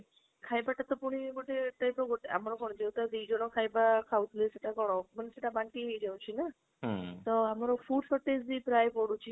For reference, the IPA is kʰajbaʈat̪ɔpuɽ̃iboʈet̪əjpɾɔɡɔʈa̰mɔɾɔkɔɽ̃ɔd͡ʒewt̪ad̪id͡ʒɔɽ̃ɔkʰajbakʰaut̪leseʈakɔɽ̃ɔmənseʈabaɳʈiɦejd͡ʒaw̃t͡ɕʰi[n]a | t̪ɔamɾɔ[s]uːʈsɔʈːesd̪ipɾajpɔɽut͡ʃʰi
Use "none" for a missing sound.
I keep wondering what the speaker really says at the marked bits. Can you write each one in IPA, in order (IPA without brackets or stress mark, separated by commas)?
n, f